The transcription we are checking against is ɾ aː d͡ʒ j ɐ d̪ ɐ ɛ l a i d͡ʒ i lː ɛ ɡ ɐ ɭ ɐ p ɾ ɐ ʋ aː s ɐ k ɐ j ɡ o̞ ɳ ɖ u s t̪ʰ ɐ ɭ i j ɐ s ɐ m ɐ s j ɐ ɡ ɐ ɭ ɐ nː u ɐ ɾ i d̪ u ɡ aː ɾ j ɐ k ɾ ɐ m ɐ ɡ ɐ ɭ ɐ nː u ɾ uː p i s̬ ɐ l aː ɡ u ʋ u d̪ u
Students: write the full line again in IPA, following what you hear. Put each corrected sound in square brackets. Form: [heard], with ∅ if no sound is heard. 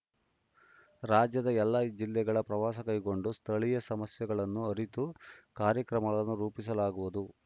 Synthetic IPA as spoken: ɾ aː d͡ʒ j ɐ d̪ ɐ ɛ [lː] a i d͡ʒ i lː ɛ ɡ ɐ ɭ ɐ p ɾ ɐ ʋ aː s ɐ k ɐ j ɡ o̞ ɳ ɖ u s t̪ʰ ɐ ɭ i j ɐ s ɐ m ɐ s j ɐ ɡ ɐ ɭ ɐ nː u ɐ ɾ i [t̪] u [k] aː ɾ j ɐ k ɾ ɐ m ɐ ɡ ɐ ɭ ɐ nː u ɾ uː p i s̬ ɐ l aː ɡ u ʋ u d̪ u